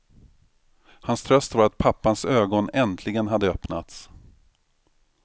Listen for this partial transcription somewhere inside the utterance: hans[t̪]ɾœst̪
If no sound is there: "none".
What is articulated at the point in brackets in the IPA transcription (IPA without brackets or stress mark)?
t̪ʰ